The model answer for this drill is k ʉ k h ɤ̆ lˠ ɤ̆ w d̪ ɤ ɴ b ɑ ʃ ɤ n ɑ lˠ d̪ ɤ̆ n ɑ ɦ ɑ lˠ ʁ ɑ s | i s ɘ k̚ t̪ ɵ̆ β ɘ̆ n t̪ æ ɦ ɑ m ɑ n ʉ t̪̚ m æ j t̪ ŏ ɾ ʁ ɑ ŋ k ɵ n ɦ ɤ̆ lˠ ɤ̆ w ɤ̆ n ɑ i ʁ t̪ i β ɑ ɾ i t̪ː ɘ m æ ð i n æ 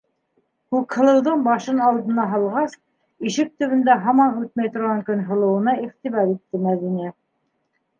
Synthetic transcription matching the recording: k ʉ k h ɤ̆ lˠ ɤ̆ w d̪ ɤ ɴ b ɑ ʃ ɤ n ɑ lˠ d̪ ɤ̆ n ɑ ɦ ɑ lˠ ʁ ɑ s | i ʃ ɘ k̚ t̪ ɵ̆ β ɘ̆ n d̪ æ ɦ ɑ m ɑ n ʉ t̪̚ m æ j t̪ ŏ ɾ ʁ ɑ ŋ k ɵ n ɦ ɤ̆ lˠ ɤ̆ w ɤ̆ n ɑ i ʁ t̪ i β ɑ ɾ i t̪ː ɘ m æ ð i n æ

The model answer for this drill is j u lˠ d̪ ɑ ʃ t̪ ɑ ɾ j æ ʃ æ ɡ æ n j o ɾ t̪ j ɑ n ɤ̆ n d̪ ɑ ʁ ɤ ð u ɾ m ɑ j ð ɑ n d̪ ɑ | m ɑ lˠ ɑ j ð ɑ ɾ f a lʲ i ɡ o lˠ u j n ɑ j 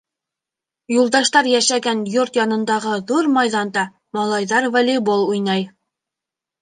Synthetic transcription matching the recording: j u lˠ d̪ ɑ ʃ t̪ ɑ ɾ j æ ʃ æ ɡ æ n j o ɾ t̪ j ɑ n ɤ̆ n d̪ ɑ ʁ ɤ ð u ɾ m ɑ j ð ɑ n d̪ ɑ | m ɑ lˠ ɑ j ð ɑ ɾ v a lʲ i b o lˠ u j n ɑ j

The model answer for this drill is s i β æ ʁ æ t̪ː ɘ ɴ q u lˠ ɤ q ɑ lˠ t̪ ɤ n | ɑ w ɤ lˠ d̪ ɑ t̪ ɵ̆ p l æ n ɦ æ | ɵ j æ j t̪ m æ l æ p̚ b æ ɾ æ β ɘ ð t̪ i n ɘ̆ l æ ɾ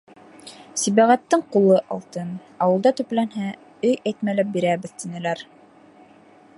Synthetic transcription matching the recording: s i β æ ʁ æ t̪ː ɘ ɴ q u lˠ ɤ ʔ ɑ lˠ t̪ ɤ n | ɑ w ɤ lˠ d̪ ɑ t̪ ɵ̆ p l æ n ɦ æ | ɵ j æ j t̪ m æ l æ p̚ b i ɾ æ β ɘ ð t̪ i n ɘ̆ l æ ɾ

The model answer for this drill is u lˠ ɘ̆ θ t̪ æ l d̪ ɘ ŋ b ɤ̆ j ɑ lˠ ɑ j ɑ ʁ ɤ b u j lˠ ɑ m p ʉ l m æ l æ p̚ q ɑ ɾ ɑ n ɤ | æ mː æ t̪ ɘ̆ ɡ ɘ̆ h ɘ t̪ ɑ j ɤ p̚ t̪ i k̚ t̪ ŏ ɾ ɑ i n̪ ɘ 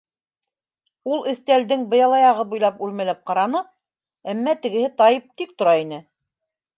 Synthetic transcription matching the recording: u lˠ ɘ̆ θ t̪ æ l d̪ ɘ ŋ b ɤ̆ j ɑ lˠ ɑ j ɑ ʁ ɤ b u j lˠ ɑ p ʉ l m æ l æ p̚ q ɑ ɾ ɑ n ɤ | æ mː æ t̪ ɘ̆ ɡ ɘ̆ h ɘ t̪ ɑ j ɤ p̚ t̪ i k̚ t̪ ŏ ɾ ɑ i n̪ ɘ

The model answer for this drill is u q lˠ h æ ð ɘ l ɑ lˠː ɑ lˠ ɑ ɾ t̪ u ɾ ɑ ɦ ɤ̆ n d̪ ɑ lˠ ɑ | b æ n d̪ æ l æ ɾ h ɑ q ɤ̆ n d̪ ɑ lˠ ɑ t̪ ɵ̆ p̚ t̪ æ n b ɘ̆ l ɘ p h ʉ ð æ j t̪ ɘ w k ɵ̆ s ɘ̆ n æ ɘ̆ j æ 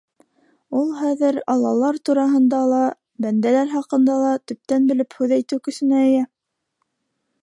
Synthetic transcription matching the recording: u lˠ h æ ð ɘ ɾ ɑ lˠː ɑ lˠ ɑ ɾ t̪ u ɾ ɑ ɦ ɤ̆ n d̪ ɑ lˠ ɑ | b æ n d̪ æ l æ ɾ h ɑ q ɤ̆ n d̪ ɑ lˠ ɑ t̪ ɵ̆ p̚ t̪ æ n b ɘ̆ l ɘ p h ʉ ð æ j t̪ ɘ w k ɵ̆ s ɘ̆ n æ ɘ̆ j æ

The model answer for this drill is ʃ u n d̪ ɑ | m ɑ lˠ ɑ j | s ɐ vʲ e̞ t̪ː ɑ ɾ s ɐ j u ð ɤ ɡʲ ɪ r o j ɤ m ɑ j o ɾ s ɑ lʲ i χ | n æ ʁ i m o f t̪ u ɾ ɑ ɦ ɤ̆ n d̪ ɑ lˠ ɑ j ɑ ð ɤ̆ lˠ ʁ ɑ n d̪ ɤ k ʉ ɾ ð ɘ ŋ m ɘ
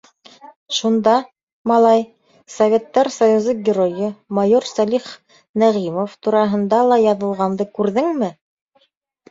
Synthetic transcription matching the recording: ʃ u n d̪ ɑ | m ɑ lˠ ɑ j | s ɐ vʲ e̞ t̪ː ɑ ɾ s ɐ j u z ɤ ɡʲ ɪ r o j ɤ m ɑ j o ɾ s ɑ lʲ i χ | n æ ʁ i m o f t̪ u ɾ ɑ ɦ ɤ̆ n d̪ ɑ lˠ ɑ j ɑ ð ɤ̆ lˠ ʁ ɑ n d̪ ɤ k ʉ ɾ ð ɘ ŋ m ɘ

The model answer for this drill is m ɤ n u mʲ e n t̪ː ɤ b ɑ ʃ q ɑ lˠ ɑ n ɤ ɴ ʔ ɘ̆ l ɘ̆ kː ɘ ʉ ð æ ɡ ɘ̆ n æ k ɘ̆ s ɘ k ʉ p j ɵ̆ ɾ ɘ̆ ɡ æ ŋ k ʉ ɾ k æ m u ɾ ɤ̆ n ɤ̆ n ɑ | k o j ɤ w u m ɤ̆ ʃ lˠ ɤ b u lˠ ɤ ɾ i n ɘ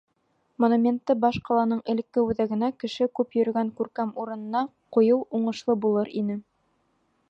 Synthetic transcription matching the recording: m o n u mʲ e n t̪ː ɤ b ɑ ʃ q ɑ lˠ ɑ n ɤ ɴ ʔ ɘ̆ l ɘ̆ kː ɘ ʉ ð æ ɡ ɘ̆ n æ k ɘ̆ ʃ ɘ k ʉ p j ɵ̆ ɾ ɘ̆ ɡ æ ŋ k ʉ ɾ k æ m u ɾ ɤ̆ n ɤ̆ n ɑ | q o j ɤ w u ɴ ɤ̆ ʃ lˠ ɤ b u lˠ ɤ ɾ i n ɘ

